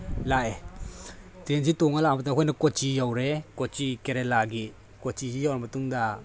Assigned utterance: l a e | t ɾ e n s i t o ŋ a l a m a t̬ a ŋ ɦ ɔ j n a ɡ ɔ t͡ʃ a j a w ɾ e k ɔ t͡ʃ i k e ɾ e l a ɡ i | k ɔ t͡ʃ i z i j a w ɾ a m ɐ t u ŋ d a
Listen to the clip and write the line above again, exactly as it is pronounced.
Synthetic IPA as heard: l a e | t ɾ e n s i t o ŋ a l a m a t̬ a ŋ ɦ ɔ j n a k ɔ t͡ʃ i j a w ɾ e k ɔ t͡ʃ i k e ɾ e l a ɡ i | k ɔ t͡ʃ i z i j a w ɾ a m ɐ t u ŋ d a